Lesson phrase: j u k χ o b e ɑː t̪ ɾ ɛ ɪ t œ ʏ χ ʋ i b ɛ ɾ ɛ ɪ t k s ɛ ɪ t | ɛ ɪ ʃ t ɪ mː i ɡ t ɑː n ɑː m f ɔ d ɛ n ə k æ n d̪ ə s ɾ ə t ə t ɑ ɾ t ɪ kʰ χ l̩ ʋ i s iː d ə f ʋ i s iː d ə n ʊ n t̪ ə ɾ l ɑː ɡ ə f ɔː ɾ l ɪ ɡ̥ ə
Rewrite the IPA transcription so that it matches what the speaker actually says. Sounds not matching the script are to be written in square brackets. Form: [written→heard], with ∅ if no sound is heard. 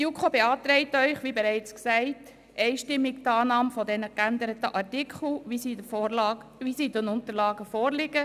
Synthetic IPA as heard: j u k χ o b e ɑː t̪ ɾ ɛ ɪ t œ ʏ χ ʋ i b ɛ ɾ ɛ ɪ [t→t͡s] k s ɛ ɪ t | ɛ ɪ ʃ t ɪ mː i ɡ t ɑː n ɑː m f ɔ d ɛ n ə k æ n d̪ ə [s→∅] ɾ ə t ə [t→ʔ] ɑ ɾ t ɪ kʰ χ l̩ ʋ i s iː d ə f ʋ i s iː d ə n ʊ n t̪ ə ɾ l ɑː ɡ ə f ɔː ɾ l ɪ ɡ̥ ə